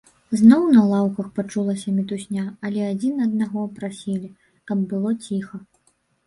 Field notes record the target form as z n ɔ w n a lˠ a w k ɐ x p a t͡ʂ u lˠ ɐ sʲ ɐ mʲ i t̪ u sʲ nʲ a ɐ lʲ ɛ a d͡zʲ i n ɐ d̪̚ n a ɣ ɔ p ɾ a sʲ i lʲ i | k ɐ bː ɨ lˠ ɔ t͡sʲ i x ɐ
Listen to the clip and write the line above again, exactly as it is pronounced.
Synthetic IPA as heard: z n ɔ w n ɐ lˠ a w k ɐ x p a t͡ʂ u lˠ ɐ sʲ ɐ mʲ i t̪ u sʲ nʲ a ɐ lʲ ɛ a d͡zʲ i n ɐ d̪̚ n a ɣ ɔ p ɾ a sʲ i lʲ i | k ɐ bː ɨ lˠ ɔ t͡sʲ i x ɐ